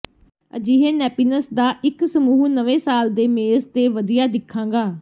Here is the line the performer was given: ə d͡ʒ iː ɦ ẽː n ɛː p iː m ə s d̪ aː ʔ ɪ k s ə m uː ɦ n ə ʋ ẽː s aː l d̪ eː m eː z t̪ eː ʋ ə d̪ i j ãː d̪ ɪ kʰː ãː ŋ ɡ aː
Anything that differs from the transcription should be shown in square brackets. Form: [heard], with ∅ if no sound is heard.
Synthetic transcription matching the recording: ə d͡ʒ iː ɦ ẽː n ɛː p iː [n] ə s d̪ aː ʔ ɪ k s ə m uː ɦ n ə ʋ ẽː s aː l d̪ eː m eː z t̪ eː ʋ ə d̪ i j [aː] d̪ ɪ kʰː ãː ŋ ɡ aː